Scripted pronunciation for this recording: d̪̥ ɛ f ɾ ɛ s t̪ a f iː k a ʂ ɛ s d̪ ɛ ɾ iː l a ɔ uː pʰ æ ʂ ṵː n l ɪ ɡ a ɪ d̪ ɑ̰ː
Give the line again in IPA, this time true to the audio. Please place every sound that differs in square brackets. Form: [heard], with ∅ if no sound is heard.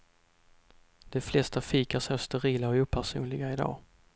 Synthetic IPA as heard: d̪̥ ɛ f [l] ɛ s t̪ a f iː k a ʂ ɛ s [t̪] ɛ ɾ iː l a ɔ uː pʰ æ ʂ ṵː n l ɪ ɡ a ɪ d̪ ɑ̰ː